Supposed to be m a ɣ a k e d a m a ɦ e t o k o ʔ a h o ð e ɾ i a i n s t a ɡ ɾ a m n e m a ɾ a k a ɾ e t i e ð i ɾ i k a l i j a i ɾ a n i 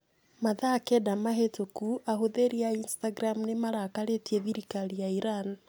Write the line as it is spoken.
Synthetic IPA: m a ð a k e d a m a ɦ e t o k u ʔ a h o ð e ɾ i a i n s t a ɡ ɾ a m n e m a ɾ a k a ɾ e t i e ð i ɾ i k a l i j a i ɾ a n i